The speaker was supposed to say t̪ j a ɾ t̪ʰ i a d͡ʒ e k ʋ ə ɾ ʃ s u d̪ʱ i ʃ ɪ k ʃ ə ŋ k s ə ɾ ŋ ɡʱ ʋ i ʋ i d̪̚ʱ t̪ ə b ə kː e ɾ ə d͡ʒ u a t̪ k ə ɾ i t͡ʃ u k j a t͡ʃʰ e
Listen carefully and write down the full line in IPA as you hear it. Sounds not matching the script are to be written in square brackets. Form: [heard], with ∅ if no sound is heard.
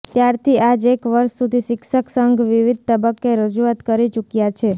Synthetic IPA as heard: t̪ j a ɾ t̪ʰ i a d͡ʒ e k ʋ ə ɾ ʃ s u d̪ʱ i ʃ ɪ k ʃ ə [∅] k s ə [∅] ŋ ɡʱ ʋ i ʋ i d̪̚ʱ t̪ ə b ə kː e ɾ ə d͡ʒ u a t̪ k ə ɾ i t͡ʃ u k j a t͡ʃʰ e